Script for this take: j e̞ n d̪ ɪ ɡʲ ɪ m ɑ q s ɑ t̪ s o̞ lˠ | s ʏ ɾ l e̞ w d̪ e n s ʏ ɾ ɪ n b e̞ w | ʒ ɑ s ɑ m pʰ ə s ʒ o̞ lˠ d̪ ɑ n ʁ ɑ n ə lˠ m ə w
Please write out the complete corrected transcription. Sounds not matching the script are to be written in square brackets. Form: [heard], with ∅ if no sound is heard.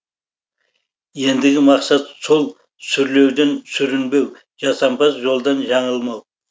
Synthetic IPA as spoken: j e̞ n d̪ ɪ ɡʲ ɪ m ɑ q s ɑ t̪ s o̞ lˠ | s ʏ ɾ l e̞ w d̪ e n s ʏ ɾ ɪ n b e̞ w | ʒ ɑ s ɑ m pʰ [ɑ] s ʒ o̞ lˠ d̪ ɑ n [ʒ] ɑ [ɴ] ə lˠ m [ɑ] w

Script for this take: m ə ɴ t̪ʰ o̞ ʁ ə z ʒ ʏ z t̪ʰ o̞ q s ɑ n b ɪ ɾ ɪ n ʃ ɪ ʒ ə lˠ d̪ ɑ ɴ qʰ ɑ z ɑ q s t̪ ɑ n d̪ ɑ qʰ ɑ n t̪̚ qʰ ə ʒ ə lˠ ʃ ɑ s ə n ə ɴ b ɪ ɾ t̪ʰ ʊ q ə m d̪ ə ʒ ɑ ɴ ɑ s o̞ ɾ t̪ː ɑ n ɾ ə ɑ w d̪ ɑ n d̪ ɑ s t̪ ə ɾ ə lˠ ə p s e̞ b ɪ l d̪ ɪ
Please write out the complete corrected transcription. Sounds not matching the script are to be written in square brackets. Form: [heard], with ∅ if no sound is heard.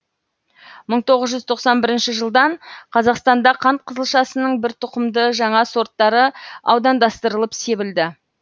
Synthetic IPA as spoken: m ə ɴ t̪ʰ o̞ ʁ ə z ʒ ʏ z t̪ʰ o̞ q s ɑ n b ɪ ɾ ɪ n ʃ ɪ ʒ ə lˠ d̪ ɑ ɴ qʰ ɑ z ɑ q s t̪ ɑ n d̪ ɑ qʰ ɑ n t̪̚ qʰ ə [z] ə lˠ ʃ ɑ s ə n ə ɴ b ɪ ɾ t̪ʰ ʊ q ə m d̪ ə ʒ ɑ ɴ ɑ s o̞ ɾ t̪ː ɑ [∅] ɾ ə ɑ w d̪ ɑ n d̪ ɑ s t̪ ə ɾ ə lˠ ə p s e̞ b ɪ l d̪ ɪ

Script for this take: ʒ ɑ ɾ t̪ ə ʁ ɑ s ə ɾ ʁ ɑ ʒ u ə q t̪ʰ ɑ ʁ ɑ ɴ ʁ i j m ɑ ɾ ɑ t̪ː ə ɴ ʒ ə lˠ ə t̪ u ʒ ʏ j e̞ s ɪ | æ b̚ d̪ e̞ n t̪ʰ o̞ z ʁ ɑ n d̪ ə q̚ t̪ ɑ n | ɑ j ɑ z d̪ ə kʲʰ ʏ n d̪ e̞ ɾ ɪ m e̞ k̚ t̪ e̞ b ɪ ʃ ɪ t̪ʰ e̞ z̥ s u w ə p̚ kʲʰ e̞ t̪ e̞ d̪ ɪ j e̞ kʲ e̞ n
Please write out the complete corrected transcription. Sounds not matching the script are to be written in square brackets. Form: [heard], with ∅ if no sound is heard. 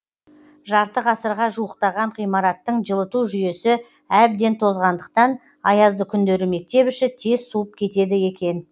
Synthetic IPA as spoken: ʒ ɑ ɾ t̪ ə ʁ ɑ s ə ɾ ʁ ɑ ʒ u ə q [t̪] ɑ ʁ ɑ ɴ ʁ i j m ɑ ɾ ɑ t̪ː ə ɴ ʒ ə lˠ ə t̪ u ʒ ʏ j e̞ s ɪ | æ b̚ d̪ e̞ n t̪ʰ o̞ z ʁ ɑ n d̪ ə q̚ t̪ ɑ n | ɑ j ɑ z d̪ ə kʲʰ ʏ n d̪ e̞ ɾ ɪ m e̞ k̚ t̪ e̞ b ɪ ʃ ɪ t̪ʰ e̞ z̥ s u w ə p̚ kʲʰ e̞ t̪ e̞ d̪ ɪ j e̞ kʲ e̞ n

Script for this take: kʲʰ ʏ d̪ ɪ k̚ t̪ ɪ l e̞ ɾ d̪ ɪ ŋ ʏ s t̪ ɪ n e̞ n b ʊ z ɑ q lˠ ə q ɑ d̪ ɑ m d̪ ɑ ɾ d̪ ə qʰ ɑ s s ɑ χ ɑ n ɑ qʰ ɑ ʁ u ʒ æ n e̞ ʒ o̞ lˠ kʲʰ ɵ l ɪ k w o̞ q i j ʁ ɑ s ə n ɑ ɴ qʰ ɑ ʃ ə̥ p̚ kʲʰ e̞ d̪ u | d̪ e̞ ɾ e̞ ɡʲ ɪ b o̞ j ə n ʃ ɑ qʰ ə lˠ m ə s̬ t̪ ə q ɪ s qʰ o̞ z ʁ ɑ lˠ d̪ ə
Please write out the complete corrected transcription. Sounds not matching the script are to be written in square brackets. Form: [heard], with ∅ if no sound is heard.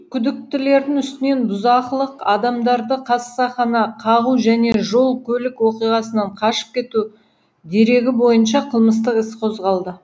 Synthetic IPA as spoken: kʲʰ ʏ d̪ ɪ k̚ t̪ ɪ l e̞ ɾ d̪ ɪ ŋ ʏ s t̪ ɪ n e̞ n b ʊ z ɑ q lˠ ə q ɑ d̪ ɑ m d̪ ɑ ɾ d̪ ə qʰ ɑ s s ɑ χ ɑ n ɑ qʰ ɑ ʁ u ʒ æ n e̞ ʒ o̞ lˠ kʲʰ ɵ l ɪ k w o̞ q i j ʁ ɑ s ə n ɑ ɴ qʰ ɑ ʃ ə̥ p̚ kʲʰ e̞ [t̪] u | d̪ e̞ ɾ e̞ ɡʲ ɪ b o̞ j ə n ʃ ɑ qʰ ə lˠ m ə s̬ t̪ ə q ɪ s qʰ o̞ z ʁ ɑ lˠ d̪ ə

